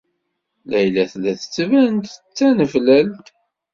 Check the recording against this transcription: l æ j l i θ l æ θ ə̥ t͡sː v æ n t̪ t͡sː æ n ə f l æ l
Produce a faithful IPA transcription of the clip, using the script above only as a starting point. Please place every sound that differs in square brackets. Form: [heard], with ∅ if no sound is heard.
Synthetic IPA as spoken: l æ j l [æ] θ l æ θ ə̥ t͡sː v æ n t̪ t͡sː æ n ə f l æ l